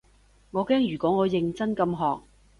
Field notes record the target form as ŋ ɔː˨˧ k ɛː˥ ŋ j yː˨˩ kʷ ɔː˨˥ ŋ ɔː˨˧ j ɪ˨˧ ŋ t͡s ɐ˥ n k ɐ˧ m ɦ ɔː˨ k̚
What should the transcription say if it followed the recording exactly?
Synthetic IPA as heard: ŋ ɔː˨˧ k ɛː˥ ŋ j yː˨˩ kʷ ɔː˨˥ ŋ ɔː˨˧ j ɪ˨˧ ŋ t͡s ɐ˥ n k ɐ˧ m ɦ ɔː˨ k̚